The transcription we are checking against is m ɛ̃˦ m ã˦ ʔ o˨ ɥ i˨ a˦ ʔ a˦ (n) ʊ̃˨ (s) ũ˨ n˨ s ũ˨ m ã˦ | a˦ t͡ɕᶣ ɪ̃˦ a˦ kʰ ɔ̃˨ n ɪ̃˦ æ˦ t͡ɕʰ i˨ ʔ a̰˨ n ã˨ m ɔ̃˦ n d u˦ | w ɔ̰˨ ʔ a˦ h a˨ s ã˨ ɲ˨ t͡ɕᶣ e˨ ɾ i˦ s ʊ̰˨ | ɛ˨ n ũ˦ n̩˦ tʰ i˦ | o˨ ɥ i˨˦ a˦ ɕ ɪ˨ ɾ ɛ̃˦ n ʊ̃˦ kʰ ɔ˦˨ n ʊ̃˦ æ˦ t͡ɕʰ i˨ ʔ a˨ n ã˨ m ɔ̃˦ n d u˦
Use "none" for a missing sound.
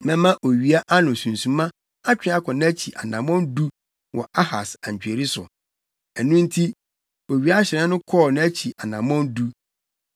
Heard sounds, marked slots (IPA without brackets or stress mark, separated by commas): n, s